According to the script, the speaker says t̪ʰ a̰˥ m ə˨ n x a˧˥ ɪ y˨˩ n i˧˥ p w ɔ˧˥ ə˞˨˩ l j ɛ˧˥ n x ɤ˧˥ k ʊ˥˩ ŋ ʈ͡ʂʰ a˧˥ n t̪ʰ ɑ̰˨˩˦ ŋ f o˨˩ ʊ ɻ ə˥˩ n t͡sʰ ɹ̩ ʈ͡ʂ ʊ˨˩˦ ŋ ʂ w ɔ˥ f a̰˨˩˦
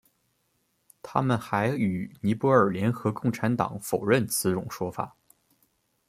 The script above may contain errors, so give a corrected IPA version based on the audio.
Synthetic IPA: t̪ʰ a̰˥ m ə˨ n x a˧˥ ɪ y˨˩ n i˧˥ p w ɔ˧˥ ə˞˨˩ l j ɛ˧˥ n x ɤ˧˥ k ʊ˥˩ ŋ ʈ͡ʂʰ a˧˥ n t̪ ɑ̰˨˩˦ ŋ f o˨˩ ʊ ɻ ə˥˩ n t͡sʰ ɹ̩ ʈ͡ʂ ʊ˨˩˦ ŋ ʂ w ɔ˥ f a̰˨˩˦